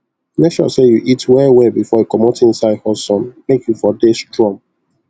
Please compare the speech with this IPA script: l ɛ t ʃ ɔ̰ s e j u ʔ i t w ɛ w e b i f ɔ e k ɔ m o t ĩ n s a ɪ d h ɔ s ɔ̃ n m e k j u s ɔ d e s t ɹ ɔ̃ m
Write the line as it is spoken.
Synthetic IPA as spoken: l ɛ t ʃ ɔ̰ s e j u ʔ i t w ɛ w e b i f ɔ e k ɔ m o t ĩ n s a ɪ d h ɔ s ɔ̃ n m e k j u f ɔ d e s t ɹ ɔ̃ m